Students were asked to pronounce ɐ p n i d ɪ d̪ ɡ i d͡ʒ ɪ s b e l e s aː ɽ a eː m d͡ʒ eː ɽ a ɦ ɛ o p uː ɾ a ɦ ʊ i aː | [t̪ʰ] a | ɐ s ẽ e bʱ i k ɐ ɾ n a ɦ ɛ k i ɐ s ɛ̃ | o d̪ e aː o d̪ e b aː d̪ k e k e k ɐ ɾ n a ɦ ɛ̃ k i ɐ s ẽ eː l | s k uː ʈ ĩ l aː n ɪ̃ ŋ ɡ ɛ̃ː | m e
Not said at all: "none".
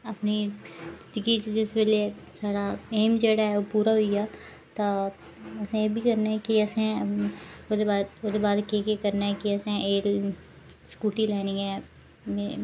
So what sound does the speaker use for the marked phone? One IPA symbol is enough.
t̪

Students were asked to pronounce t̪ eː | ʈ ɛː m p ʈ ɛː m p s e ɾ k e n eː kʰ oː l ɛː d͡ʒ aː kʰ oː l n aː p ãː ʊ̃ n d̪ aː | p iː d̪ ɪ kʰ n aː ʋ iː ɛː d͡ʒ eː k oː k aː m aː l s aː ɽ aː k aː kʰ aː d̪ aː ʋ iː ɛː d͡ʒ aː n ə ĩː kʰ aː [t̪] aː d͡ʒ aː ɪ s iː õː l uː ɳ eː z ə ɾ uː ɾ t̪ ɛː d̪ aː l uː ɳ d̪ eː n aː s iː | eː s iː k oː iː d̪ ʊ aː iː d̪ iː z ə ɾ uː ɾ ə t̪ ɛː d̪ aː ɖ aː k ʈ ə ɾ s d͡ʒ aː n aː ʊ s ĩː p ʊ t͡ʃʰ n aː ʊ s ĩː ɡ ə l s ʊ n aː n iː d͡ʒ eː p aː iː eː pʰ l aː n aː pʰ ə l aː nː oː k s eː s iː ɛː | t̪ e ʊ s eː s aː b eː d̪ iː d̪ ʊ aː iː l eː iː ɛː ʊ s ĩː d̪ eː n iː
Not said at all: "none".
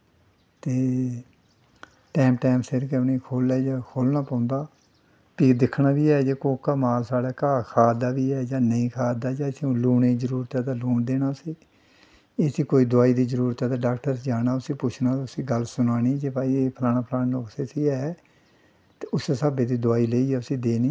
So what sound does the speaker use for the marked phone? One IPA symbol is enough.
d̪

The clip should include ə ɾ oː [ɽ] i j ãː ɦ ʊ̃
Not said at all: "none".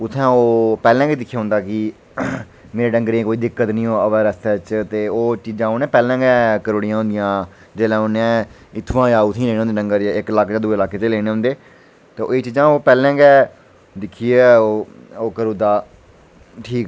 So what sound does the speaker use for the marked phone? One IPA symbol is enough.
ɽ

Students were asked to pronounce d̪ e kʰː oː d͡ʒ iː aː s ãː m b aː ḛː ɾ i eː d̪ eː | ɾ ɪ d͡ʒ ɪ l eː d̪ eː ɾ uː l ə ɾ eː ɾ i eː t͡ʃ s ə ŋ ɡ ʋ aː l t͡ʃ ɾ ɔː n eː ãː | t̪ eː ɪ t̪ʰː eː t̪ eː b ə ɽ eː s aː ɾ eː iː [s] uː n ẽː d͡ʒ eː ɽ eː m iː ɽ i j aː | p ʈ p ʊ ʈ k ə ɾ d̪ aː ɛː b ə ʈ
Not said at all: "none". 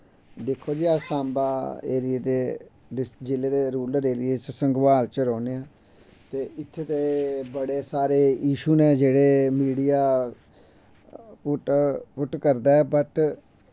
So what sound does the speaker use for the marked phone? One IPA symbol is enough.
ʃ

